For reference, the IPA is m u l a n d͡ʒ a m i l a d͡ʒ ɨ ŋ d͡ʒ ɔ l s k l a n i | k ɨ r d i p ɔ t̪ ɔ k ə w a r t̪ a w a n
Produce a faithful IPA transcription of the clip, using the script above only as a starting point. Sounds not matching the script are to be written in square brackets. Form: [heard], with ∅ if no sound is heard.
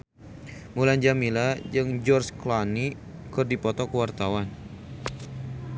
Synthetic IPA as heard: m u l a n d͡ʒ a m i l a d͡ʒ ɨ ŋ d͡ʒ ɔ [r] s k l a n i | k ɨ r d i p ɔ t̪ ɔ k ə w a r t̪ a w a n